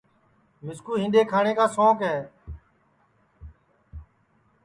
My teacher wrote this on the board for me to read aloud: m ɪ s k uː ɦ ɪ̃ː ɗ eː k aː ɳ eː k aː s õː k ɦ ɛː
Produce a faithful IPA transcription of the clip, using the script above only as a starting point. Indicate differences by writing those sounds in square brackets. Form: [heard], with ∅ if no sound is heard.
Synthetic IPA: m ɪ s k uː ɦ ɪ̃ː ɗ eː [kʰ] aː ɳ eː k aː s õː k ɦ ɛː